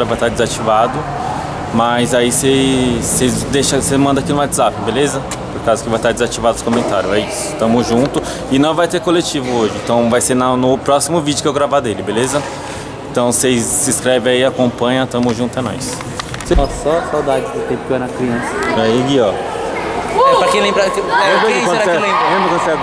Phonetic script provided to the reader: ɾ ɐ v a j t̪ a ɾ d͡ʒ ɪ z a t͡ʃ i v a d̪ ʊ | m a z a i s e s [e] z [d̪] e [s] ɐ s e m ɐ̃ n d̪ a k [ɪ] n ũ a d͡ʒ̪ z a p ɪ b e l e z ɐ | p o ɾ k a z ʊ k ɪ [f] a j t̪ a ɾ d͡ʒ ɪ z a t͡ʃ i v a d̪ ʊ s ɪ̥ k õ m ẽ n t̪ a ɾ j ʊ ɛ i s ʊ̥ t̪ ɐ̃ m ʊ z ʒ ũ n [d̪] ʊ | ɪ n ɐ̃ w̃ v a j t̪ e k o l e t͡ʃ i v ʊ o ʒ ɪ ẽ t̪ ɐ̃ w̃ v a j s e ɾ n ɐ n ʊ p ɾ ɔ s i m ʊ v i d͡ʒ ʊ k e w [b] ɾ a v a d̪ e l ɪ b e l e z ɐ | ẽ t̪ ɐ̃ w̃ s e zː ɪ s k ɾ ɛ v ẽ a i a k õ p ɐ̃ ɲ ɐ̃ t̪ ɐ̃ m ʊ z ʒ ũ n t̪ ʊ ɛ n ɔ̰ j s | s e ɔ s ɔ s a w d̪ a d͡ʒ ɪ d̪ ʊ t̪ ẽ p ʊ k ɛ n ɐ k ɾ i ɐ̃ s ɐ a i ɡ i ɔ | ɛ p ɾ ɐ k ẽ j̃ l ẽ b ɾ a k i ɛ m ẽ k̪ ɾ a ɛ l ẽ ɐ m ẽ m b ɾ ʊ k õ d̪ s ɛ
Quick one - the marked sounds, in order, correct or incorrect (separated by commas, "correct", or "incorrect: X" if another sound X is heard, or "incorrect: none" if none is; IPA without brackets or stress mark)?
correct, correct, incorrect: ʃ, incorrect: i, incorrect: v, incorrect: t̪, incorrect: ɡ